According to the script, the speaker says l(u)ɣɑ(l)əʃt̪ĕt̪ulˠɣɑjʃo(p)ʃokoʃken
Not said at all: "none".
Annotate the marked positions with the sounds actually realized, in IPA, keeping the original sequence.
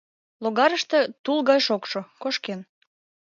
o, ɾ, k

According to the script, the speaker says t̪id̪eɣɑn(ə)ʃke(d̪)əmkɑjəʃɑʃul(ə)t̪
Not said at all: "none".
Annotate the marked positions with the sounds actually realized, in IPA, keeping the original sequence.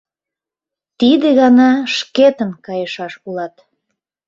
ɑ, t̪, ɑ

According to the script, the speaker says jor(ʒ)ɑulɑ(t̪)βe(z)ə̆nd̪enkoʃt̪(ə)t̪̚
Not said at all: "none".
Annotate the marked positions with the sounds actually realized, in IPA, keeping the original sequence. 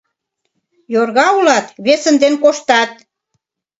ɣ, t̪, s, ɑ

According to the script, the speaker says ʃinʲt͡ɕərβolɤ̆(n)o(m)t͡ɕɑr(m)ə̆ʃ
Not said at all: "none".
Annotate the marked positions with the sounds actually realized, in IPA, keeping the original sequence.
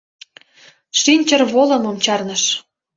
m, m, n

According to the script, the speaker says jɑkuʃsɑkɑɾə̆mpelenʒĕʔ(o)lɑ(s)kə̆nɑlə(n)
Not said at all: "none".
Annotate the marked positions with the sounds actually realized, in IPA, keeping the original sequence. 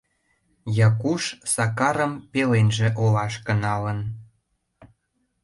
o, ʃ, n

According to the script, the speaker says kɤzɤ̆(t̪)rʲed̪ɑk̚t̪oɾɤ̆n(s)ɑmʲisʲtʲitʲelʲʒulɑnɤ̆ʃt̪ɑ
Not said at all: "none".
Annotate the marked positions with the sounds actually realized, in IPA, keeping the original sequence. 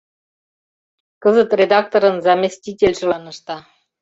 t̪, z

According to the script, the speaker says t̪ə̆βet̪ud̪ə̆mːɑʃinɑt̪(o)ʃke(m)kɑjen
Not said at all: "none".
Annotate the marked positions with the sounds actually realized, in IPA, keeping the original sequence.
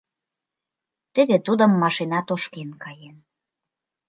o, n

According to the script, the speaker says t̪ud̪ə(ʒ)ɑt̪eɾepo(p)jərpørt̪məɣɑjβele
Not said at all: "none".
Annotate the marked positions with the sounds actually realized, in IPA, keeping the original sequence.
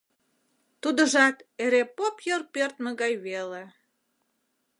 ʒ, p

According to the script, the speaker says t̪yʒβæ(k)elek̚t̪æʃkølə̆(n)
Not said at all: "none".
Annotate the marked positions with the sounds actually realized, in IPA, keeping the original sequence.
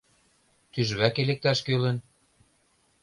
k, n

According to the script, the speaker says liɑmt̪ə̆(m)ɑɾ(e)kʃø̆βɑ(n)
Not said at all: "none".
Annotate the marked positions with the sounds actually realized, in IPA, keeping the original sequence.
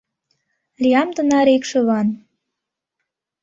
n, e, n

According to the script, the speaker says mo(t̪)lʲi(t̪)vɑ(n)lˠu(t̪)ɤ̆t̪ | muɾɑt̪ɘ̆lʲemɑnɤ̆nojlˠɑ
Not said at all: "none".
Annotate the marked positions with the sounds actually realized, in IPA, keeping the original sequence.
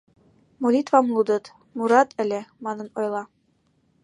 none, t̪, m, d̪

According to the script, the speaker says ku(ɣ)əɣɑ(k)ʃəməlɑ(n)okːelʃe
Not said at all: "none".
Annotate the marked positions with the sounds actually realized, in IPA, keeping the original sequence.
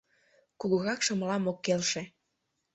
ɣ, k, m

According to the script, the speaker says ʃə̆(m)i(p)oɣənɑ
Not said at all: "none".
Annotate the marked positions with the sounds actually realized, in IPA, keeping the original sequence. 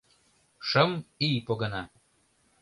m, p

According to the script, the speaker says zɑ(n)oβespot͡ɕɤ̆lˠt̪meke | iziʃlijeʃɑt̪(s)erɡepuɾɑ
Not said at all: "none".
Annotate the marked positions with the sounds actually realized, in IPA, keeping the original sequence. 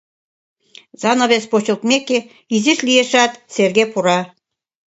n, s

